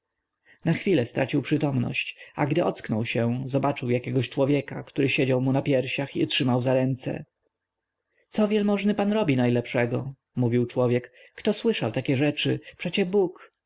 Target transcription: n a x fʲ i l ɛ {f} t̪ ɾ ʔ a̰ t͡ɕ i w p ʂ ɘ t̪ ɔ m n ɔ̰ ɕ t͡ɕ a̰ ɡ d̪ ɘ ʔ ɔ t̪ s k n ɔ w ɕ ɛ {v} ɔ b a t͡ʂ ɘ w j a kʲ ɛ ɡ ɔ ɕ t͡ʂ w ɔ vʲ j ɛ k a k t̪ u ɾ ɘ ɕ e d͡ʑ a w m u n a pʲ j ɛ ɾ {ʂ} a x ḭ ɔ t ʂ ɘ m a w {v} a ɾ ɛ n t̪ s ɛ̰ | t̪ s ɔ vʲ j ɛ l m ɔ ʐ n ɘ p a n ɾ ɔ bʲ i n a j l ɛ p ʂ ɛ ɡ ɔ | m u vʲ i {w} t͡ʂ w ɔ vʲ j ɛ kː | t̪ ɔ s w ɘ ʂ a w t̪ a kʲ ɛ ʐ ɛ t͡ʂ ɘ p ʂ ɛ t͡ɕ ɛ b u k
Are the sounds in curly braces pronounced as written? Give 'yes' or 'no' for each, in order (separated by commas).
no, no, no, no, yes